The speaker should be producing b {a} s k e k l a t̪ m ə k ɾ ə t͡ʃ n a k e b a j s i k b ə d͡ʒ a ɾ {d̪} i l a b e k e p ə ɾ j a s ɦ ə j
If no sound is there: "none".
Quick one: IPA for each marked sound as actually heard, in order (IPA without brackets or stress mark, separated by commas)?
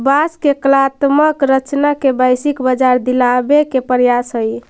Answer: a, d̪